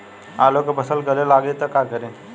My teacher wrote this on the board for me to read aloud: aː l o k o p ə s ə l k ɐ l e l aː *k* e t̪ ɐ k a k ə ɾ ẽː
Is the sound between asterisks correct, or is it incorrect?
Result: incorrect